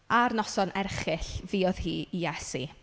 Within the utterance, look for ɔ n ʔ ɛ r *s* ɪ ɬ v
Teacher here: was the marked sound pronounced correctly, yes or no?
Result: no